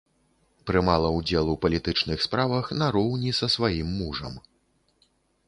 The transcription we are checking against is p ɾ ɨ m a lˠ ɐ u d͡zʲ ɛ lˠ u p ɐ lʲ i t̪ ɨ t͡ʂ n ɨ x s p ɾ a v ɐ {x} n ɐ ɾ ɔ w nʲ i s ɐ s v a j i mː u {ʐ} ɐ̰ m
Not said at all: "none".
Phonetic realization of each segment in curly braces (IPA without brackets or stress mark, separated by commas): x, ʐ